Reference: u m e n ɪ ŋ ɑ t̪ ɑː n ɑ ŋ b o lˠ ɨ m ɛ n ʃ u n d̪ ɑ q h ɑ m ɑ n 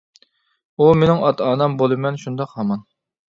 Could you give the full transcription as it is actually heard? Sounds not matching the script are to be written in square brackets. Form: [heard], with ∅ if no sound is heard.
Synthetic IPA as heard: u m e n ɪ ŋ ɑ t̪ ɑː n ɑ [m] b o lˠ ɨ m ɛ n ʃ u n d̪ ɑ q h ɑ m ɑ n